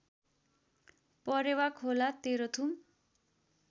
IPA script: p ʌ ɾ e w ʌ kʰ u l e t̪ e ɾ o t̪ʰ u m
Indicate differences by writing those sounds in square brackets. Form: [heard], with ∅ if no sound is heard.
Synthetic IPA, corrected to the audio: p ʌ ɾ e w [a] kʰ [o] l [a] t̪ e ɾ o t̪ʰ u m

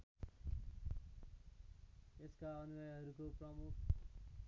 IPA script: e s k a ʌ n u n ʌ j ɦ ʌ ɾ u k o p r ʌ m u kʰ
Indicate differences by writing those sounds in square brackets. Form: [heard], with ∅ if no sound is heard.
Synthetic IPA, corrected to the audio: e s k a ʌ n u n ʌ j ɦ ʌ ɾ u k o p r ʌ m u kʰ

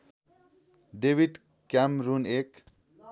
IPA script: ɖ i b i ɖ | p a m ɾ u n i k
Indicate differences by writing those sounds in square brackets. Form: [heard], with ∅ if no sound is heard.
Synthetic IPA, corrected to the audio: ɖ [e] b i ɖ | [k] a m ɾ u n [e] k

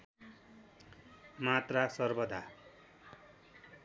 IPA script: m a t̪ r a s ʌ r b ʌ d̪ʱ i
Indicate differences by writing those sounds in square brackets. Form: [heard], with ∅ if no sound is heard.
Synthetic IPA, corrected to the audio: m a t̪ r a s ʌ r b ʌ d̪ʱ [a]

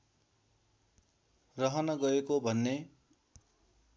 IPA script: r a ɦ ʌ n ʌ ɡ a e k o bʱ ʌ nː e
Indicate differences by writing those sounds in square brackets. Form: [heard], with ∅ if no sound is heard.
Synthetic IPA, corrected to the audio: r [ʌ] ɦ ʌ n ʌ ɡ [ʌ] e k o bʱ ʌ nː e

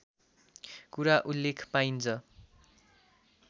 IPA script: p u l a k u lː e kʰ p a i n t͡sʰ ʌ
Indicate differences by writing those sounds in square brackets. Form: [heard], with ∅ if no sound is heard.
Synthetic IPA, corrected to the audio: [k] u [ɾ] a [ʔ] u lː e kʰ p a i n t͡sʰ ʌ

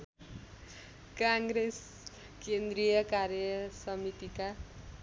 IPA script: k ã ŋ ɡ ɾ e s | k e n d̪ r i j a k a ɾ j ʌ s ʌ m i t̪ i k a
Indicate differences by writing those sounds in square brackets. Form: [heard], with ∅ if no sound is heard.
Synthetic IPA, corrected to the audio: k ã ŋ ɡ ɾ e s | k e n d̪ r i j [ʌ] k a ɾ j ʌ s ʌ m i t̪ i k a

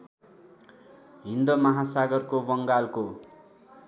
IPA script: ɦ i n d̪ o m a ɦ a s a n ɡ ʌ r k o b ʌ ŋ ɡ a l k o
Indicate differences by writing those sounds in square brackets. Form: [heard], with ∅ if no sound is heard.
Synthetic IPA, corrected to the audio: ɦ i n d̪ o m [ʌ] ɦ a s a [∅] ɡ ʌ r k o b ʌ ŋ ɡ a l k o

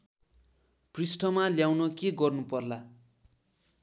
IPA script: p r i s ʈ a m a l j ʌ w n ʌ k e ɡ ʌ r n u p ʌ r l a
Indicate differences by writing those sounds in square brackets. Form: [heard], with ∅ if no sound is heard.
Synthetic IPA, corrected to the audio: p r i s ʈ [ʌ] m a l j [a] w n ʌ k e ɡ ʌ r n u p ʌ r l a

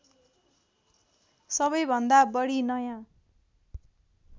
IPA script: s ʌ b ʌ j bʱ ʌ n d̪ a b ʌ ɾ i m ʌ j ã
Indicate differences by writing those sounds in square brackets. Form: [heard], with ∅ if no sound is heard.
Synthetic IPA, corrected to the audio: s ʌ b ʌ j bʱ ʌ n d̪ a b ʌ [ɽ] i [n] ʌ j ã

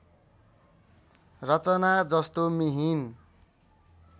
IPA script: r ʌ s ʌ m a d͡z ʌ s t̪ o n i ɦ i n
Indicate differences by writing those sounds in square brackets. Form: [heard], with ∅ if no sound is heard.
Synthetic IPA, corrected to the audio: r ʌ [t͡s] ʌ [n] a d͡z ʌ s t̪ o [m] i ɦ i n

